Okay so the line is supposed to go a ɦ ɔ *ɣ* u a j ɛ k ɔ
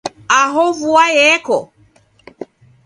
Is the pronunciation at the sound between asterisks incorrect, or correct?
incorrect